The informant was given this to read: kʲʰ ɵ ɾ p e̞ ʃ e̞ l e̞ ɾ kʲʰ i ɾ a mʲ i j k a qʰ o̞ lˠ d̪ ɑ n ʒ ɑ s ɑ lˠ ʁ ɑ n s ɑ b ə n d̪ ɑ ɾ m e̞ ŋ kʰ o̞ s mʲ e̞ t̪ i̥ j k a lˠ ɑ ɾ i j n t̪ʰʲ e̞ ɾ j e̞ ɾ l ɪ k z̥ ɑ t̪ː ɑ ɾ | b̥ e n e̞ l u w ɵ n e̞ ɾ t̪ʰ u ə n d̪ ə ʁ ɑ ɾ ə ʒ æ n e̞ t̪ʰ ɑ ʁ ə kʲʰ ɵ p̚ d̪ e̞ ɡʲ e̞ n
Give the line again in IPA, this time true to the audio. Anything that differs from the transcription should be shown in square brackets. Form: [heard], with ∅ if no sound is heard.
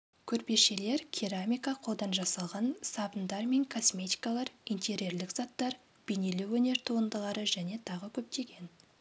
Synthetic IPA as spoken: kʲʰ ɵ ɾ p e̞ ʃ e̞ l e̞ ɾ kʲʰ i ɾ a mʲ i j k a qʰ o̞ lˠ d̪ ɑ n ʒ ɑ s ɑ lˠ ʁ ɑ n s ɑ b ə n d̪ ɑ ɾ m e̞ ŋ kʰ o̞ s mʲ e̞ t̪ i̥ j k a lˠ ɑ ɾ i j n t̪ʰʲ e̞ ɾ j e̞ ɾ l ɪ k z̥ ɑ t̪ː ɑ ɾ | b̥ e n e̞ l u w ɵ n e̞ ɾ t̪ʰ u ə n d̪ ə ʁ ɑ ɾ ə ʒ æ n e̞ t̪ʰ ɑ ʁ ə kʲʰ ɵ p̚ [t̪] e̞ ɡʲ e̞ n